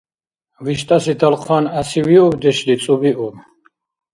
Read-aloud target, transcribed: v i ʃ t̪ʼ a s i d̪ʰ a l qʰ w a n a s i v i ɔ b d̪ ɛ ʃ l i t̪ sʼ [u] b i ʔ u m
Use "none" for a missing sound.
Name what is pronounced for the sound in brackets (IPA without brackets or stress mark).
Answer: u